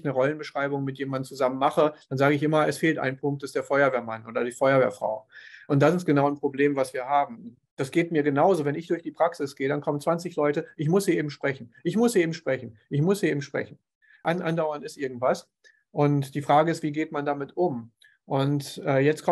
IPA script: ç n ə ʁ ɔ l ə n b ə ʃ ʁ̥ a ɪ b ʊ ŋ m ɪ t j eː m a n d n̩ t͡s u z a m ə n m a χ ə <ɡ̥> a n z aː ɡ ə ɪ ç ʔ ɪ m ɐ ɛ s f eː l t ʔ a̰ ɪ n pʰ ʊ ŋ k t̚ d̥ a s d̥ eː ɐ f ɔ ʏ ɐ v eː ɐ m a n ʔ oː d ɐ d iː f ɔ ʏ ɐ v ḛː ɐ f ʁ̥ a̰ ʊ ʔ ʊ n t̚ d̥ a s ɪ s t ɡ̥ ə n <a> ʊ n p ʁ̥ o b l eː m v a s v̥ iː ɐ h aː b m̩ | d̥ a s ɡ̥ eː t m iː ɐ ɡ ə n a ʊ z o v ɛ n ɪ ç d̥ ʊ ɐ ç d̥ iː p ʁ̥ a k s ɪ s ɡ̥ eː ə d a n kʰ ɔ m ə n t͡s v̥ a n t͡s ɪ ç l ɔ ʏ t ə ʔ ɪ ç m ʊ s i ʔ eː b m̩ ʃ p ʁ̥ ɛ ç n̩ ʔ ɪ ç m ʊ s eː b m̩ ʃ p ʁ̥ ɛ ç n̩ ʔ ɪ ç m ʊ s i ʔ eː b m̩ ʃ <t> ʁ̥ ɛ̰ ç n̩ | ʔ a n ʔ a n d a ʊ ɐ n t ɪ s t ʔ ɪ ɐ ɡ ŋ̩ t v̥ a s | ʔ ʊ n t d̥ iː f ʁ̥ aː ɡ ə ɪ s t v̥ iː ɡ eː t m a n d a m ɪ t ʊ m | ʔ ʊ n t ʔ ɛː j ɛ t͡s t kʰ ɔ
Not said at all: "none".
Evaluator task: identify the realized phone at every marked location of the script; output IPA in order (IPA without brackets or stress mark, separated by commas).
d̥, a, p